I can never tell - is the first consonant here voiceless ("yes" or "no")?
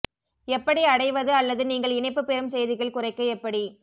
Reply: yes